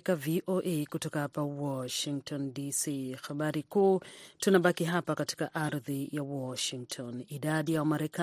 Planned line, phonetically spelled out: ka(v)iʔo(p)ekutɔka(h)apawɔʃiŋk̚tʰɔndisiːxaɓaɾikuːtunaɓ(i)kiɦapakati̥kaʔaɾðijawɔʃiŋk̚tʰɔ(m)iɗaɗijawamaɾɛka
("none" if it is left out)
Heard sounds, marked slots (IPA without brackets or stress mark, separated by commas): v, ʔ, h, a, n